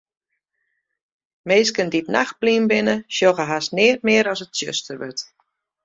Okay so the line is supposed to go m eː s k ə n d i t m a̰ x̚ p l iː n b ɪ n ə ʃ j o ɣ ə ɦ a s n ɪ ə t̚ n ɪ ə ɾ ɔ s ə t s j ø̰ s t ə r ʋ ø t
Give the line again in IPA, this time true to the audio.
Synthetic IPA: m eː s k ə n d i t n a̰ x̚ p l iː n b ɪ n ə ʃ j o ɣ ə ɦ a s n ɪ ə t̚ m ɪ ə ɾ ɔ s ə t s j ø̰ s t ə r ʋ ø t